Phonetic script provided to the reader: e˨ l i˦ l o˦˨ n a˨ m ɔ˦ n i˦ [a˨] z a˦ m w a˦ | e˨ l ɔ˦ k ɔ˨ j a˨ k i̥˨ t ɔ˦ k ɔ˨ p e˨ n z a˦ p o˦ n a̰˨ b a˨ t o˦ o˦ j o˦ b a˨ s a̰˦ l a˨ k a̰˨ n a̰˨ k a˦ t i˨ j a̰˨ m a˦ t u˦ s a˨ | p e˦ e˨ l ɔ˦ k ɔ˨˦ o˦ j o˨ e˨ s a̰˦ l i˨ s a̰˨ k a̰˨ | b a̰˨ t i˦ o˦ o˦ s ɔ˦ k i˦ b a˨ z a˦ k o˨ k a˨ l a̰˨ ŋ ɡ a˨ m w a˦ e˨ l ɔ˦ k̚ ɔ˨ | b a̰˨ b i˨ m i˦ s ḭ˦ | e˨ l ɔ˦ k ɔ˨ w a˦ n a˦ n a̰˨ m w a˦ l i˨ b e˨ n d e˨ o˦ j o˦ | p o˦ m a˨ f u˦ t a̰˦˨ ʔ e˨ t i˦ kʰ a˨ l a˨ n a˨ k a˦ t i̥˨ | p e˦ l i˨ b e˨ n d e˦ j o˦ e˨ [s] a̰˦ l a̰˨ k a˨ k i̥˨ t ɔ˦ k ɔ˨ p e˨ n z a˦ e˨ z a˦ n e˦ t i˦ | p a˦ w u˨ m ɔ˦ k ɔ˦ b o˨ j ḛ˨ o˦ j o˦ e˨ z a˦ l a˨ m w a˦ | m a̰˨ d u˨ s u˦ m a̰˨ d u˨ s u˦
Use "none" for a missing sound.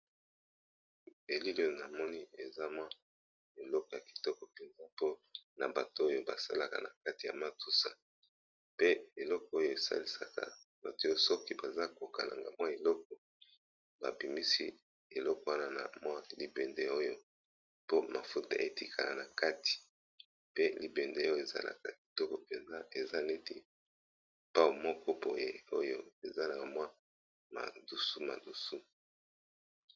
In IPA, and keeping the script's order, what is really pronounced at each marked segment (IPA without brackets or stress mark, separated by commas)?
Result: e˨, z